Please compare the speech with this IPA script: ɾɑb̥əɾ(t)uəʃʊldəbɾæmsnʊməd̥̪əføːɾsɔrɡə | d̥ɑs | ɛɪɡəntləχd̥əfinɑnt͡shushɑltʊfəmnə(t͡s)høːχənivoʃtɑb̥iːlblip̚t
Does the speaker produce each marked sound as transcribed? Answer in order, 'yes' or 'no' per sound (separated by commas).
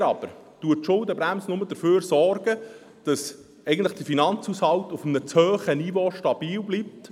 yes, yes